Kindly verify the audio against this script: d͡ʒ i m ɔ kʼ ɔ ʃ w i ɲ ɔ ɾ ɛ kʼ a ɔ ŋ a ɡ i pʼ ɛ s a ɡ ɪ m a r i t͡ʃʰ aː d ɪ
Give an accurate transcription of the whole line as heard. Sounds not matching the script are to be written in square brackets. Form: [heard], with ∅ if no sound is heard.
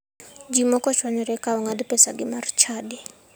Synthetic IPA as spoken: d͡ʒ i m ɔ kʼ ɔ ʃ w [a] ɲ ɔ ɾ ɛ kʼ a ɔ ŋ a [d] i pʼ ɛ s a ɡ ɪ m a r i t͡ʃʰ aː d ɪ